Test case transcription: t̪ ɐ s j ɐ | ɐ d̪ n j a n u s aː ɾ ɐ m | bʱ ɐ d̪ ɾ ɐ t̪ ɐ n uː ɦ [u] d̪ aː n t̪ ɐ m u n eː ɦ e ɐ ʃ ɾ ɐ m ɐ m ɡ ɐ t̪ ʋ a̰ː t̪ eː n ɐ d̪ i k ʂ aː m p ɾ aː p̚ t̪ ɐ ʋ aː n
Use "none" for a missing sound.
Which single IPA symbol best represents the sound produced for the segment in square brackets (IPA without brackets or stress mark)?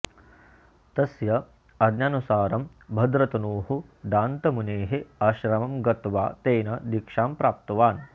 u